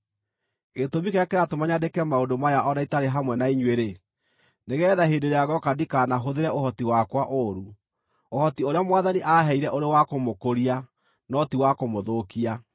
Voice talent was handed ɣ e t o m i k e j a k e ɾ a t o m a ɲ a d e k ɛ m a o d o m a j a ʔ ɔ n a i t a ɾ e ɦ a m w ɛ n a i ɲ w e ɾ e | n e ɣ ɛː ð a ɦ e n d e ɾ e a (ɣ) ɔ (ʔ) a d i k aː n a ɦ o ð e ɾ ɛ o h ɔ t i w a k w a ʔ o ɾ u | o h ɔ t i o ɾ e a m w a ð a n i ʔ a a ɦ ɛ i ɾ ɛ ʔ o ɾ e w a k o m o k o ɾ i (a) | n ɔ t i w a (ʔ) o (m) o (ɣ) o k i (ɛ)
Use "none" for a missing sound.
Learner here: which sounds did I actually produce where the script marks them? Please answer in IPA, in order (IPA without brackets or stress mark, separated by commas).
ɣ, k, a, k, m, ð, a